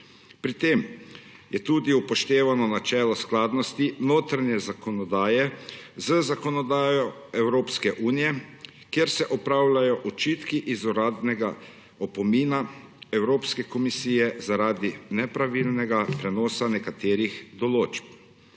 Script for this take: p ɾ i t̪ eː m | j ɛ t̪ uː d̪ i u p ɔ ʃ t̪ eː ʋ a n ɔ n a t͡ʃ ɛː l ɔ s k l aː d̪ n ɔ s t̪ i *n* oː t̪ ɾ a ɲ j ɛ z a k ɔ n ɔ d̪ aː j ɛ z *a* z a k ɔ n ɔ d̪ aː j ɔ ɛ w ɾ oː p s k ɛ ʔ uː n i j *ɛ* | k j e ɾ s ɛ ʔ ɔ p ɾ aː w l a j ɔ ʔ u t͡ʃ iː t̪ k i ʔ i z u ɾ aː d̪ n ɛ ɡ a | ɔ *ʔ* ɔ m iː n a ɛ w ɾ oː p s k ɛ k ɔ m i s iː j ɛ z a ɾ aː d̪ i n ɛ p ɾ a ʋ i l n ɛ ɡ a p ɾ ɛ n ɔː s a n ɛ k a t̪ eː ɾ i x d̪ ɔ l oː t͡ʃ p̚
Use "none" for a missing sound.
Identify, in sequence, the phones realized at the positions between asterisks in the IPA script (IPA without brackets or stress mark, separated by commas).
n, ə, ɛ, p